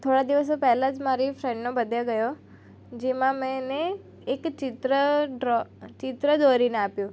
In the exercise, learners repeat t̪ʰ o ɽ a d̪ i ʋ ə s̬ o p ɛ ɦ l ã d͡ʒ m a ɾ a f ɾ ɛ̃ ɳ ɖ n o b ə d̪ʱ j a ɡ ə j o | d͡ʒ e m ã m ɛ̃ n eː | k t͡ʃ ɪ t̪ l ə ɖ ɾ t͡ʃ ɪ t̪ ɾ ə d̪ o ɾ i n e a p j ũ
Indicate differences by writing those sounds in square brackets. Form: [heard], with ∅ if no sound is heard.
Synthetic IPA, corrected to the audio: t̪ʰ o ɽ a d̪ i ʋ ə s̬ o p ɛ ɦ l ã d͡ʒ m a ɾ [i] f ɾ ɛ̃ ɳ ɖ n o b ə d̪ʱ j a ɡ ə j o | d͡ʒ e m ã m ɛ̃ n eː | k t͡ʃ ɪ t̪ [ɾ] ə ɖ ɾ t͡ʃ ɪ t̪ ɾ ə d̪ o ɾ i n e a p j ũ